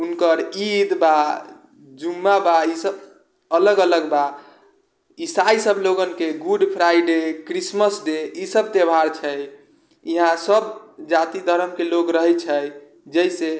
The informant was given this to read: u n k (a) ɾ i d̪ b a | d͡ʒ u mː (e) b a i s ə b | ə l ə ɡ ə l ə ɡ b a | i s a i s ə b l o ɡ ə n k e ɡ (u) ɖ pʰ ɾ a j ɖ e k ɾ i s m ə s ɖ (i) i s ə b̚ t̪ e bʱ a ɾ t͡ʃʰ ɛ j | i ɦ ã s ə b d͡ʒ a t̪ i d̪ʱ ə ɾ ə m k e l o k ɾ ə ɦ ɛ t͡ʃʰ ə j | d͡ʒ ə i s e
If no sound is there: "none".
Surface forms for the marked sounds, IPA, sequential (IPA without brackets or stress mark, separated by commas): ə, a, u, e